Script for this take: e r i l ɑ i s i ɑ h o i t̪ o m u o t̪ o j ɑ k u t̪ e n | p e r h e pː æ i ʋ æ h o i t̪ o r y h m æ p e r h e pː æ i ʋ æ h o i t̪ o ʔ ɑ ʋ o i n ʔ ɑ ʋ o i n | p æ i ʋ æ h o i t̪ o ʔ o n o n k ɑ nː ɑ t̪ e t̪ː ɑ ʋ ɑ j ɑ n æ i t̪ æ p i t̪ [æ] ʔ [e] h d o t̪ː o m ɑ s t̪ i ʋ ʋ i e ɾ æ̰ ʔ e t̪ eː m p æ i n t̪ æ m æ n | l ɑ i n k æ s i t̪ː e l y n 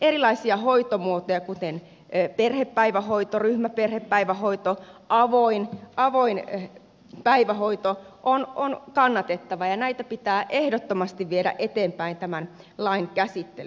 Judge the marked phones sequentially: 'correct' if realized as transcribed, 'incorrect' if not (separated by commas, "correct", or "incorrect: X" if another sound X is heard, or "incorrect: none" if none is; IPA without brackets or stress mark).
incorrect: æː, correct